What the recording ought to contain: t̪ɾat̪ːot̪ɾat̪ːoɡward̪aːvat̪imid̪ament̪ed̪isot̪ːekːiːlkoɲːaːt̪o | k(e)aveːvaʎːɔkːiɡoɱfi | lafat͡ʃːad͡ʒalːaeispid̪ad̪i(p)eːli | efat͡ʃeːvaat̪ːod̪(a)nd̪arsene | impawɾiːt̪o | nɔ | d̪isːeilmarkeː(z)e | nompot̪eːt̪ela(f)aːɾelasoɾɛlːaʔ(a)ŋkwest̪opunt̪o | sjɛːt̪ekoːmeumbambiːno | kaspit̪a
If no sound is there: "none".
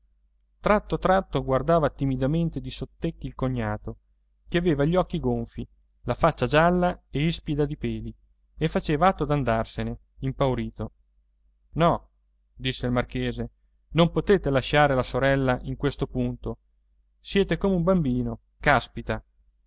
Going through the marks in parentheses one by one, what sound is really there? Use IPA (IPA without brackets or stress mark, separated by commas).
e, p, a, z, ʃ, i